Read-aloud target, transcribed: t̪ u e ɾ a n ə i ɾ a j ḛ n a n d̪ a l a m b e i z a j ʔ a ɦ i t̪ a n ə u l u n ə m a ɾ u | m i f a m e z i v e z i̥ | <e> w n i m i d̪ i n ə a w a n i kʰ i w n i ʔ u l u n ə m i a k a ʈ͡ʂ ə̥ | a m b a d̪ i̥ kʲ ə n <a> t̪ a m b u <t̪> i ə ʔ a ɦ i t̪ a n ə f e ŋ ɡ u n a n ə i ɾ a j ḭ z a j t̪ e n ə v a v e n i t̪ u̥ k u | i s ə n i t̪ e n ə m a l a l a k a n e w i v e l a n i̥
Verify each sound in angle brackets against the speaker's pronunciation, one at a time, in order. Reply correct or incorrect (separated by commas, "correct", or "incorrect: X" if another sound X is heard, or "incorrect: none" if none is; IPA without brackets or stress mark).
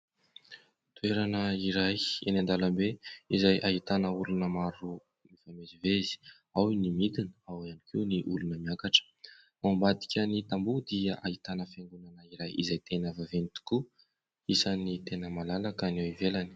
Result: incorrect: a, incorrect: i, incorrect: d̪